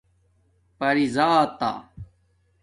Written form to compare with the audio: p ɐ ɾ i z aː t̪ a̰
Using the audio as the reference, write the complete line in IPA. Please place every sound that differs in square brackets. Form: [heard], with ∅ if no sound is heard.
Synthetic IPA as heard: p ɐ ɾ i z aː t̪ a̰